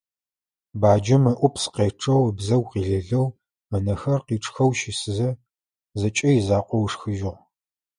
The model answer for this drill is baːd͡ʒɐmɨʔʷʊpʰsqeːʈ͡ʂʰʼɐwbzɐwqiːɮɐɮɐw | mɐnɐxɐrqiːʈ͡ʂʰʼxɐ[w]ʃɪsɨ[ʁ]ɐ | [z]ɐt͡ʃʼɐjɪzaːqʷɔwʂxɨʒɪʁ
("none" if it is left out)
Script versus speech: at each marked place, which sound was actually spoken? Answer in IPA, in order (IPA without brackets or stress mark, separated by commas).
w, z, z